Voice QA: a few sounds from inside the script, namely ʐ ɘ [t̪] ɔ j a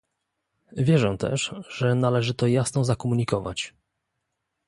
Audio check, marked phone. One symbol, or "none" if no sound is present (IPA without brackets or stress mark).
t̪